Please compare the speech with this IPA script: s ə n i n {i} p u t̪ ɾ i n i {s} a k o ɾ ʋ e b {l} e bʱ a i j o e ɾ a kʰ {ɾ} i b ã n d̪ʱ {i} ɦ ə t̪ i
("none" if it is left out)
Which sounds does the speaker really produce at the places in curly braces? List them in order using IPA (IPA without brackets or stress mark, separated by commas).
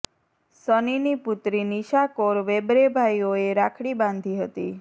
i, ʃ, ɾ, ɽ, i